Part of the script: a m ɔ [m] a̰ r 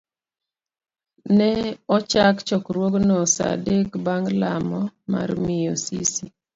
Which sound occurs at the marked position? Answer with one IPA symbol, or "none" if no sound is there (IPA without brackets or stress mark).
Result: m